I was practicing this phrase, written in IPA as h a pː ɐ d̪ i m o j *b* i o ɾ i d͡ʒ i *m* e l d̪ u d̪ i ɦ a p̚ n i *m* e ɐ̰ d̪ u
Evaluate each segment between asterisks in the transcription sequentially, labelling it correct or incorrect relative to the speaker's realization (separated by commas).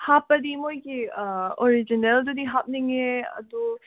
incorrect, incorrect, incorrect